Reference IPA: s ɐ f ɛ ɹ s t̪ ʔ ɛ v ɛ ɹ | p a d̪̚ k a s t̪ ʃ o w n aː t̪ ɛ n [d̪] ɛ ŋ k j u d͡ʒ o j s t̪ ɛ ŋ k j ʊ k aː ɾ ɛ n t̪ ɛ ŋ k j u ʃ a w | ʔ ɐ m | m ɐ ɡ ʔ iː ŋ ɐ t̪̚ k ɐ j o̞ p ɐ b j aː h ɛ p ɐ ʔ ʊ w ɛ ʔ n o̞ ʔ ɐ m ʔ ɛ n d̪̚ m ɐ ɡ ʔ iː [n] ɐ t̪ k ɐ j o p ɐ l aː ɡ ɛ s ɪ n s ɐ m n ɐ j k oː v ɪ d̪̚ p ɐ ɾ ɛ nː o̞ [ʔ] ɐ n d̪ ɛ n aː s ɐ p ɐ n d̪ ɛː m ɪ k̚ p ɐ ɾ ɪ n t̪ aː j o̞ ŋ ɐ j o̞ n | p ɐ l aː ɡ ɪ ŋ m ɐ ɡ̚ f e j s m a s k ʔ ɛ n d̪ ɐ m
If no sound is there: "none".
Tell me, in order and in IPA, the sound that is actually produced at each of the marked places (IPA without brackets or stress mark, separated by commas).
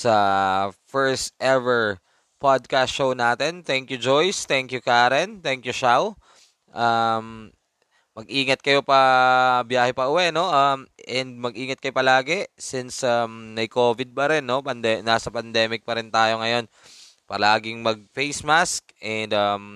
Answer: t̪, ŋ, p